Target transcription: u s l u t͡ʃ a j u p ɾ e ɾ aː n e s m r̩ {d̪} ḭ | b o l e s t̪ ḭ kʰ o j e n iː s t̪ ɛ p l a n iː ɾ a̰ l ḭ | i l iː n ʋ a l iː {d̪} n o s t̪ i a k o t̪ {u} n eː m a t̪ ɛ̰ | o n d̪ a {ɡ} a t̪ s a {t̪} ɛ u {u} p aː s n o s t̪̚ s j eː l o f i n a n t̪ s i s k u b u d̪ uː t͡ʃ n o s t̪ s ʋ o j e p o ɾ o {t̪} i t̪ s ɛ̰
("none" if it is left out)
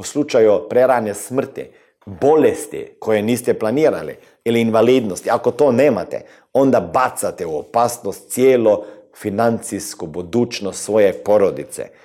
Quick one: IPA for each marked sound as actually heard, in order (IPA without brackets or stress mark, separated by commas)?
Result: t̪, d̪, o, b, t̪, o, d̪